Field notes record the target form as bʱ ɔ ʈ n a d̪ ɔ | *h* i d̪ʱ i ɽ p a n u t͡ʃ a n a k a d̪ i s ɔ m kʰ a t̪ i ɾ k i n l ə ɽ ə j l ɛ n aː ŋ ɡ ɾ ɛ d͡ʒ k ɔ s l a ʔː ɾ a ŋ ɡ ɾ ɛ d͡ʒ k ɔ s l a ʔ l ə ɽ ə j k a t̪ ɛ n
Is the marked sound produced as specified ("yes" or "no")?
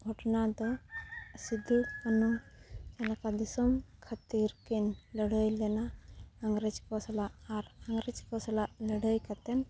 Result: no